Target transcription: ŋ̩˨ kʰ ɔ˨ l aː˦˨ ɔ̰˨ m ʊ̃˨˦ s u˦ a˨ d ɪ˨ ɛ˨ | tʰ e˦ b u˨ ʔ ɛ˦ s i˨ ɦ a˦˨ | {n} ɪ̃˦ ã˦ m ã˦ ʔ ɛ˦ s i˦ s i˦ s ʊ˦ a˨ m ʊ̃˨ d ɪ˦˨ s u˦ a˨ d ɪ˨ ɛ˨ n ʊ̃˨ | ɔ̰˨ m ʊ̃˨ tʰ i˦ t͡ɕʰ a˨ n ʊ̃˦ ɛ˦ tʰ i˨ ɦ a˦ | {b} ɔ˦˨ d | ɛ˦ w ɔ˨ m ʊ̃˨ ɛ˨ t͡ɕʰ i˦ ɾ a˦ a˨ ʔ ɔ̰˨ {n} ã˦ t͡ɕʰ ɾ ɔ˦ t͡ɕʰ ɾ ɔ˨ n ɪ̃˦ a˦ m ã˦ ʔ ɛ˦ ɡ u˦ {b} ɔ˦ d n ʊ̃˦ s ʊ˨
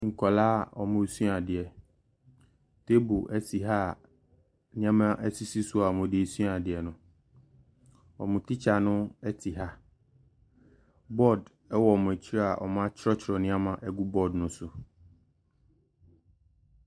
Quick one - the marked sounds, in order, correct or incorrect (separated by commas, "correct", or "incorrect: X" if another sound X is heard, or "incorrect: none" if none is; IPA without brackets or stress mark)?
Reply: correct, correct, incorrect: m, correct